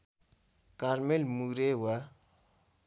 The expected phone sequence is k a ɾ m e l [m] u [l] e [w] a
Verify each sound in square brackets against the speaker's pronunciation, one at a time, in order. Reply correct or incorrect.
correct, incorrect, correct

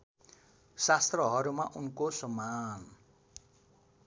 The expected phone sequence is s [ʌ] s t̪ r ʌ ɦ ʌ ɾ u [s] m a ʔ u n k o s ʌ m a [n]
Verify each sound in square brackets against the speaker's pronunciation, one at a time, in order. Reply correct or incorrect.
incorrect, incorrect, correct

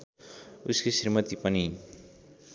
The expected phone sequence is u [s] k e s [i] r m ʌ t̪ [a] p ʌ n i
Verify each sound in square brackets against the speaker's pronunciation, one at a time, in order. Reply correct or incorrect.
correct, correct, incorrect

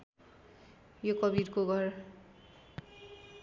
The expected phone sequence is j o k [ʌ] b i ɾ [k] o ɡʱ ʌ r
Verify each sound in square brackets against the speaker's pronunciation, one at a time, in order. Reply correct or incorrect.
correct, correct

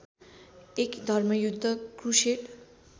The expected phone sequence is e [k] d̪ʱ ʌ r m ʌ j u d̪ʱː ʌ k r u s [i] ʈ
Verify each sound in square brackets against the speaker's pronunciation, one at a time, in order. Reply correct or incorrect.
correct, incorrect

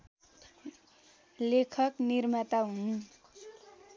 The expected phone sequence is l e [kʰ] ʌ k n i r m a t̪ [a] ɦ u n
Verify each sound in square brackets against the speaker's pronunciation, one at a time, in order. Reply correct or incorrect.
correct, correct

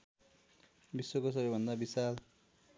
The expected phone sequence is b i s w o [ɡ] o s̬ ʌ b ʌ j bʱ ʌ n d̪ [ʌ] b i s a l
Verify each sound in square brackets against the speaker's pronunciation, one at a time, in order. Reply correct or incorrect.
incorrect, incorrect

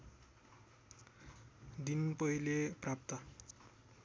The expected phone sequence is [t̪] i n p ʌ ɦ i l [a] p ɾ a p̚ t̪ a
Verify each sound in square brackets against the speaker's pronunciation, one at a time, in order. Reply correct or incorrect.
incorrect, incorrect

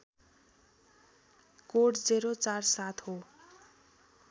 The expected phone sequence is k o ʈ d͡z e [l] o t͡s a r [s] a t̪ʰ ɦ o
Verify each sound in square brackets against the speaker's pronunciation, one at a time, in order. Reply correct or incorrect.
incorrect, correct

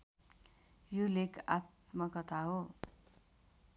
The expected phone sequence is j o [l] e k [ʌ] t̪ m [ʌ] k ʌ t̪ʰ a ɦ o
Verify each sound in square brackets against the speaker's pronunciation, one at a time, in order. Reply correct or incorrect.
correct, incorrect, correct

